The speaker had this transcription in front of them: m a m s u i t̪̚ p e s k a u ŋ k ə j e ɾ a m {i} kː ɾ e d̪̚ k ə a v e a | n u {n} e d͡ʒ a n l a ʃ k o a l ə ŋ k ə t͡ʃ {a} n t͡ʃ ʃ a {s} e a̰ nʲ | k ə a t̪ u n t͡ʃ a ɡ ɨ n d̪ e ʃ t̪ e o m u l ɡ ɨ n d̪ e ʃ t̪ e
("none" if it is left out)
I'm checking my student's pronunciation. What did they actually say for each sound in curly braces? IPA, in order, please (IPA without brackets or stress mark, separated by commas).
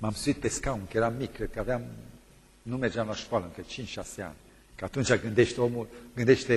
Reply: i, m, i, s